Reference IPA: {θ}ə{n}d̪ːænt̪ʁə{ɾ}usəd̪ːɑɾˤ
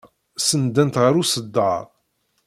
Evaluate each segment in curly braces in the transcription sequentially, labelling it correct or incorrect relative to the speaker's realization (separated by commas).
incorrect, correct, correct